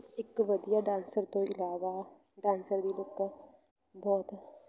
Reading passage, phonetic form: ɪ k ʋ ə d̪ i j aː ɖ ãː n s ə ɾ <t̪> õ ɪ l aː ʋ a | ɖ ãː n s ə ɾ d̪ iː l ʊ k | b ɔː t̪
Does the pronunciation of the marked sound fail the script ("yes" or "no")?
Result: no